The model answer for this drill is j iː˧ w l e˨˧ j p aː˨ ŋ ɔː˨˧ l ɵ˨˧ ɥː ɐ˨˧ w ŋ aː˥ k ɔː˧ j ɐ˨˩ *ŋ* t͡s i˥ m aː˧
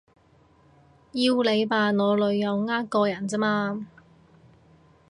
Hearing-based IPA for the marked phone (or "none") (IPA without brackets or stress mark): n